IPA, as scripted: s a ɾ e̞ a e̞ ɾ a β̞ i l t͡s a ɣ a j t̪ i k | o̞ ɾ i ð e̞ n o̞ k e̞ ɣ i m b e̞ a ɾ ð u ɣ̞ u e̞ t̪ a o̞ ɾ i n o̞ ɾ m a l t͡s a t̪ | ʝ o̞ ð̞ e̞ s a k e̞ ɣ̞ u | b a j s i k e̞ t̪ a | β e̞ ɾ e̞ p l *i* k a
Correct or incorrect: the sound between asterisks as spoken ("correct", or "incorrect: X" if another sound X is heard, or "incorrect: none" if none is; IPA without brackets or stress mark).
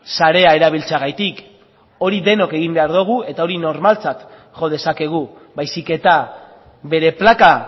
incorrect: a